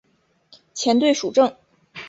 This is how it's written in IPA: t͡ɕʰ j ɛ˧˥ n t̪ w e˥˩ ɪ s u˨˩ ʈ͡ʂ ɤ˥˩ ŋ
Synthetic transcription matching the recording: t͡ɕʰ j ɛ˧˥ n t̪ w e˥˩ ɪ ʂ u˨˩ ʈ͡ʂ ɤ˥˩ ŋ